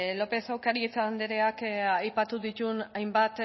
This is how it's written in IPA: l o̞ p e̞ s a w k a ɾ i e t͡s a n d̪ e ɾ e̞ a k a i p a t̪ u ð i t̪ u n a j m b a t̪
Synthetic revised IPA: l o̞ p e̞ s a w k a ɾ i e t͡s a n d̪ e ɾ e̞ a k a j p a t̪ u ð i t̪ u n a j m b a t̪